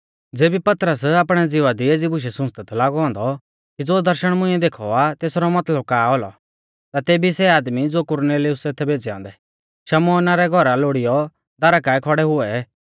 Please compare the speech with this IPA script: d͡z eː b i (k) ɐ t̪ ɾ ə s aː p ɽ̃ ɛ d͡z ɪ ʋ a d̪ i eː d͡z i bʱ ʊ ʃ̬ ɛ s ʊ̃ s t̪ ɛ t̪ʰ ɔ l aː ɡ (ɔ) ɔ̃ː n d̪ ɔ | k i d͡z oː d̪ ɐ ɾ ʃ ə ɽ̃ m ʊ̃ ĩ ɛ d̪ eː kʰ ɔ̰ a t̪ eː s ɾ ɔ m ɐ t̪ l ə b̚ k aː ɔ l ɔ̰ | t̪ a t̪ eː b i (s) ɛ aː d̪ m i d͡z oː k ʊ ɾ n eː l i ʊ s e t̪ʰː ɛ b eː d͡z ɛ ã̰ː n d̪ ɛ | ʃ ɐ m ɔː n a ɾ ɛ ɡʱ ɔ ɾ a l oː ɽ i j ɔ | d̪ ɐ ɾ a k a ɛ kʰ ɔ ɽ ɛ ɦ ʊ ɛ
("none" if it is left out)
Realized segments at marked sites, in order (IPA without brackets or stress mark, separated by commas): p, ɔ, s